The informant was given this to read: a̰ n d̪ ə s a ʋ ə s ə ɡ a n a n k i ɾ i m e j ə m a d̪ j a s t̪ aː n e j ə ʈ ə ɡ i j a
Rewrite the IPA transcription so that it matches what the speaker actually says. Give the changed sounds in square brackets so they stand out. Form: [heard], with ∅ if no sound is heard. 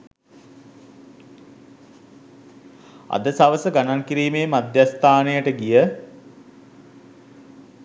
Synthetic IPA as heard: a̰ [∅] d̪ ə s a ʋ ə s ə ɡ a n a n k i ɾ [iː] m e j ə m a d̪ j a s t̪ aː n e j ə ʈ ə ɡ i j [ə]